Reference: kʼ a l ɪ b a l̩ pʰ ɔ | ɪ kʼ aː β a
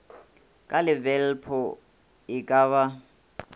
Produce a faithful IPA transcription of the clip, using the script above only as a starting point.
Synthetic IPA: kʼ a l ɪ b ɛ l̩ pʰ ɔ | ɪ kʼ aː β a